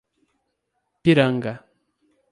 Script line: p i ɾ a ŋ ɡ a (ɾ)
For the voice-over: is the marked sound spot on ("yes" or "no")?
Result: no